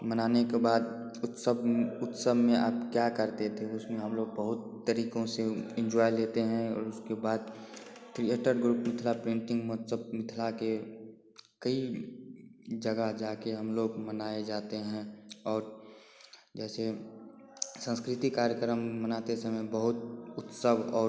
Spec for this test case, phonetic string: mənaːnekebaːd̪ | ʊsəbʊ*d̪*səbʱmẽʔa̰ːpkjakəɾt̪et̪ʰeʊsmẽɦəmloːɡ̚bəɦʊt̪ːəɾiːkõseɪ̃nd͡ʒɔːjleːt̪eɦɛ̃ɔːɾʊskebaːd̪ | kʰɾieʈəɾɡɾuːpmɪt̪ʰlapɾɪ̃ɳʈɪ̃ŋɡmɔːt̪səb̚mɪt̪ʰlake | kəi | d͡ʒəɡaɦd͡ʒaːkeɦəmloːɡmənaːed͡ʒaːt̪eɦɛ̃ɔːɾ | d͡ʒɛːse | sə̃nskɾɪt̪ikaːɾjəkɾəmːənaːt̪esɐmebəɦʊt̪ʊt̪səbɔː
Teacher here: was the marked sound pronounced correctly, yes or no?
no